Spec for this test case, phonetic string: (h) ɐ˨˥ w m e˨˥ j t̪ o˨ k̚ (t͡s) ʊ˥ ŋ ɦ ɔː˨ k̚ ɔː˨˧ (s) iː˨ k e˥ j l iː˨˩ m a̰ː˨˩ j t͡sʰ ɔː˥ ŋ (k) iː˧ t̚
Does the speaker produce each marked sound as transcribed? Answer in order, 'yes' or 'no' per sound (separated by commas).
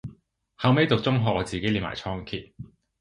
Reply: yes, yes, no, no